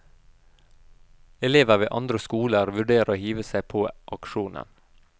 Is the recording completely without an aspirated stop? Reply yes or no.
no